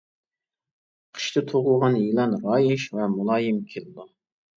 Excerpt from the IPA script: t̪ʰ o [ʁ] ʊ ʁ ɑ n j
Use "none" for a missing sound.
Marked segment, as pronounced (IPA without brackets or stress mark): ʁ